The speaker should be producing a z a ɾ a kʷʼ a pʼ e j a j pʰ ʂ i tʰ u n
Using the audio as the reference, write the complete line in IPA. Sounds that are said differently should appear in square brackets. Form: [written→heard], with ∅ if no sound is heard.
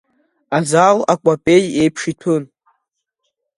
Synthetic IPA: a z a [ɾ→l] a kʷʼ a pʼ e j [a→e] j pʰ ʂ i tʰ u n